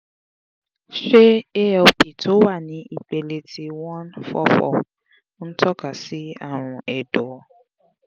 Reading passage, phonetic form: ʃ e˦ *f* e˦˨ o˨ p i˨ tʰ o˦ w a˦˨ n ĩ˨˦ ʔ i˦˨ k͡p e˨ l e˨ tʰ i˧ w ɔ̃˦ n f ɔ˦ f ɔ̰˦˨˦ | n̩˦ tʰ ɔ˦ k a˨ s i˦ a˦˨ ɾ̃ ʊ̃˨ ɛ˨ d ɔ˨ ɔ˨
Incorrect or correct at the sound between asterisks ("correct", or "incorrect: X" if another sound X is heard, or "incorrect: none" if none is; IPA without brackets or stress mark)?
incorrect: none